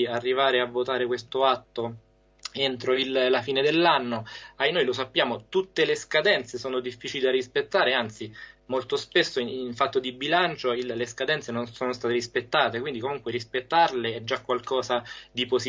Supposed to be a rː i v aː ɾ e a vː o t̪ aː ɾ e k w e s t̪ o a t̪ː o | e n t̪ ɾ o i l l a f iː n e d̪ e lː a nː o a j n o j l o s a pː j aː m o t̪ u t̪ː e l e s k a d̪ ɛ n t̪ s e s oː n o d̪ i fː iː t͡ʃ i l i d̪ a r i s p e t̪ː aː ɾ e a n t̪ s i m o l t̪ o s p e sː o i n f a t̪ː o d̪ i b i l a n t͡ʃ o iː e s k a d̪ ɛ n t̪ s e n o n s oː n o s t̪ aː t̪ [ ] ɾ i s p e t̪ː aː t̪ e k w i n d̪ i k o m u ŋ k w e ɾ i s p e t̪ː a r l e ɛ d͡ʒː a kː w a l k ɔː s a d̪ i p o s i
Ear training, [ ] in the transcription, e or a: e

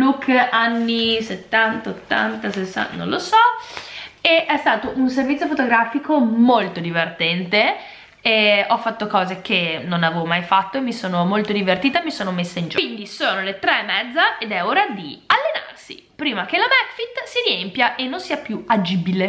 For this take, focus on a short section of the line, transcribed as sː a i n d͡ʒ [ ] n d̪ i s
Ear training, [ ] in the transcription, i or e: i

